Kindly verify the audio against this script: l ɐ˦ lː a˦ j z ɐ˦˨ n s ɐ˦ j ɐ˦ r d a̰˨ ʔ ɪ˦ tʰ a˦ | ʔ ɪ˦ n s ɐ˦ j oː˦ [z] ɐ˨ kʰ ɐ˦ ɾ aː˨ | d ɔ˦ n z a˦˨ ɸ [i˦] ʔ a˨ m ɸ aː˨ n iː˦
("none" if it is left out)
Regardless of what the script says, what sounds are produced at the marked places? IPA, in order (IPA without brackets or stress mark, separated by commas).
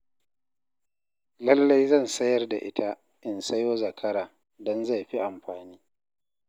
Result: z, i˦